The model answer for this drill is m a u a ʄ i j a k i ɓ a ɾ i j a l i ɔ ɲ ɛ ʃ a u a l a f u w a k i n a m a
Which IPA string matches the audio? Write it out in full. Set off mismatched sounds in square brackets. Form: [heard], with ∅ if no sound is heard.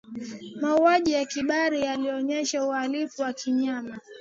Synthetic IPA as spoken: m a u a ʄ i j a k i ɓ a ɾ i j a l i ɔ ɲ ɛ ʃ a u a l [i] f u w a k i [ɲ] a m a

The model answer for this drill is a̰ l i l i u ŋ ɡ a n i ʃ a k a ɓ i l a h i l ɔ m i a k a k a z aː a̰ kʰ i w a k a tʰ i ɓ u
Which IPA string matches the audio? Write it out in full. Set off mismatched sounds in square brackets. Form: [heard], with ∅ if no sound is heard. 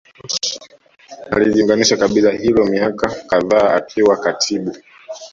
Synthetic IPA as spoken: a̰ l i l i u ŋ ɡ a n i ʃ a k a ɓ i l a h i l ɔ m i a k a k a [ð] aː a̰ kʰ i w a k a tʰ i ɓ u

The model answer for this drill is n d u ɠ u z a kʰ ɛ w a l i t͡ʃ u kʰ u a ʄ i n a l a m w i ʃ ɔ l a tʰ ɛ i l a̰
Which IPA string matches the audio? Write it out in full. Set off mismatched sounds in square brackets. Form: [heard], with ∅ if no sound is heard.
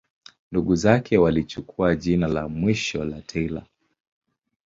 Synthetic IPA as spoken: n d u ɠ u z a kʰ ɛ w a l i t͡ʃ u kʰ u a ʄ i n a l a m w i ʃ ɔ l a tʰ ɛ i l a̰

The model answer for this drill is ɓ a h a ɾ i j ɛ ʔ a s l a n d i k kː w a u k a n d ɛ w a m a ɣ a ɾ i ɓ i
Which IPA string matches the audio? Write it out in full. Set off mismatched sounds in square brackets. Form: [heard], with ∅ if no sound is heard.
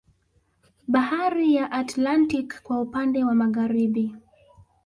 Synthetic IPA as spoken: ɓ a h a ɾ i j [a] ʔ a [t] l a n [t] i k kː w a u [p] a n d ɛ w a m a ɣ a ɾ i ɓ i

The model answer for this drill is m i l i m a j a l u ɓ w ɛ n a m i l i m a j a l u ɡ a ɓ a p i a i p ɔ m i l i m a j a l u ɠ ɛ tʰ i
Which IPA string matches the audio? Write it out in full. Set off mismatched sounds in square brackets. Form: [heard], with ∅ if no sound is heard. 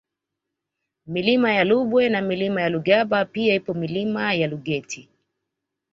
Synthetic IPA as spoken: m i l i m a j a l u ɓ w ɛ n a m i l i m a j a l u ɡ a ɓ a p i a i p ɔ m i l i m a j a l u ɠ ɛ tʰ i

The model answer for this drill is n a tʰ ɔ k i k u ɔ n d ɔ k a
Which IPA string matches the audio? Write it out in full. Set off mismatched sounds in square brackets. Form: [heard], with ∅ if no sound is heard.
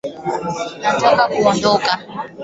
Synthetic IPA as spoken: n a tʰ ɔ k [a] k u ɔ n d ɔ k a

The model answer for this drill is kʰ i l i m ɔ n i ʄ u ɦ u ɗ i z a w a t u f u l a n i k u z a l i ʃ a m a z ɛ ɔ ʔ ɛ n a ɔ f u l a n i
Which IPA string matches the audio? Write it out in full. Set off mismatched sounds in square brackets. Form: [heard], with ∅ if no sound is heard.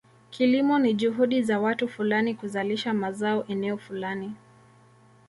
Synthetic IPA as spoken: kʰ i l i m ɔ n i ʄ u ɦ u ɗ i z a w a t u f u l a n i k u z a l i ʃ a m a z [a] ɔ ʔ ɛ n [ɛ] ɔ f u l a n i

